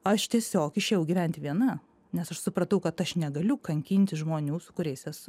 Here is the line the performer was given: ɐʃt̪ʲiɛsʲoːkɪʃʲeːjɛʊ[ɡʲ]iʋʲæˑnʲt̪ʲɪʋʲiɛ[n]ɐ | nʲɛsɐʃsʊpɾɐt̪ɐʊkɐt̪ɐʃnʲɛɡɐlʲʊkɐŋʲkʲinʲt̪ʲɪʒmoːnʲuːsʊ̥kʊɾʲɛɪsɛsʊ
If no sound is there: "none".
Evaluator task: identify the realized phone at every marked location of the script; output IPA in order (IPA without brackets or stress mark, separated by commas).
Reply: ɡʲ, n